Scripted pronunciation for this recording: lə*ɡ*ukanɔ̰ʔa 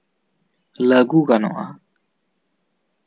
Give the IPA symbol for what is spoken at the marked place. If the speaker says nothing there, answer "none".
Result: ɡ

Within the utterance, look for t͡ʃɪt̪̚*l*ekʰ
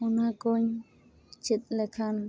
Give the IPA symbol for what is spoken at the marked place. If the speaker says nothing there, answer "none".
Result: l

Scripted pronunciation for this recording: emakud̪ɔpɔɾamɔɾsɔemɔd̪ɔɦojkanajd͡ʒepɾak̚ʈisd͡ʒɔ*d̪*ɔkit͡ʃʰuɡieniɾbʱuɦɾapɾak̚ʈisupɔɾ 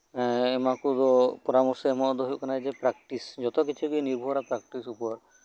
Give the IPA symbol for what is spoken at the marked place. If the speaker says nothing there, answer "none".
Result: t̪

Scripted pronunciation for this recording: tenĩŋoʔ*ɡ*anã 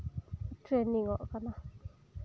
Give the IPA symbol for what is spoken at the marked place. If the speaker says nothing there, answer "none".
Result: k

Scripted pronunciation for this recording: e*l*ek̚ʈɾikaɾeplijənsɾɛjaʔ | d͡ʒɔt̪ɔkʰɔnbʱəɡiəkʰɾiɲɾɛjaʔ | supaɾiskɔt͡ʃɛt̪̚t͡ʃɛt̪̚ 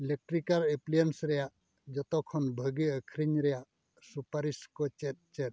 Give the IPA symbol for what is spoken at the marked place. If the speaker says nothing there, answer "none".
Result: l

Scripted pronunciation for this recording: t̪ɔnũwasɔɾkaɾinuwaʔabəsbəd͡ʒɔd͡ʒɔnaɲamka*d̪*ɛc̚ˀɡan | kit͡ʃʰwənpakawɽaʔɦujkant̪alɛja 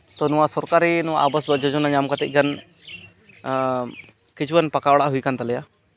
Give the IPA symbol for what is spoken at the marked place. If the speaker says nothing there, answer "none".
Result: t̪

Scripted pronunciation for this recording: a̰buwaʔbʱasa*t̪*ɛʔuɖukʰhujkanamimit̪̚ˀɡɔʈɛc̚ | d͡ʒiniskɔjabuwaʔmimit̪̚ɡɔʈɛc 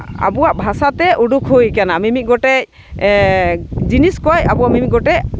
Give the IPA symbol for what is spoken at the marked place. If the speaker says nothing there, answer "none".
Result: t̪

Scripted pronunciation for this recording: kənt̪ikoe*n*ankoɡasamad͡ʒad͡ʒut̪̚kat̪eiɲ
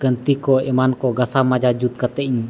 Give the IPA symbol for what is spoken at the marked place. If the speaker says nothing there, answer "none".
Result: m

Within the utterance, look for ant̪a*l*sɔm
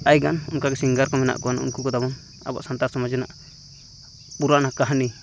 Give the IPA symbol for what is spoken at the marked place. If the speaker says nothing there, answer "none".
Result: ɾ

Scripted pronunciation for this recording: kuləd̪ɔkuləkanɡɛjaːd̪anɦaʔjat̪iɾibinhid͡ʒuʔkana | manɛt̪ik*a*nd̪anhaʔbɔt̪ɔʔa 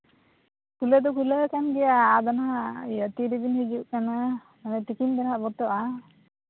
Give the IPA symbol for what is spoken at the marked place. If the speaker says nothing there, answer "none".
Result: i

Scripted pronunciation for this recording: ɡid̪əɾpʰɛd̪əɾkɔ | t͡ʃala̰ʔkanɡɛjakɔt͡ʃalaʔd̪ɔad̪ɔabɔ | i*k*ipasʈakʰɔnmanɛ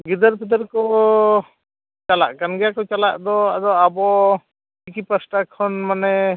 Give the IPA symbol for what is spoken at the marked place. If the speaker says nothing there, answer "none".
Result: k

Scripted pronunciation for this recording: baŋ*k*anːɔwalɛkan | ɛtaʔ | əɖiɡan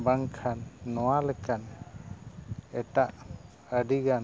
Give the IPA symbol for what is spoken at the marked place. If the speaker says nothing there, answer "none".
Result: kʰ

